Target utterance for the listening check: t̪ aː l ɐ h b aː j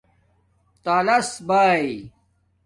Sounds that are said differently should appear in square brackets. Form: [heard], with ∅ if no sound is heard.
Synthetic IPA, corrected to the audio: t̪ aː l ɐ [s] b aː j